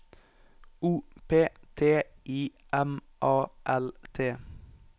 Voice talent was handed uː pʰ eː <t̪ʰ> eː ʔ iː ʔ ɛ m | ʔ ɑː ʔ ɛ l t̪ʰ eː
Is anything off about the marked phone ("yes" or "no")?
no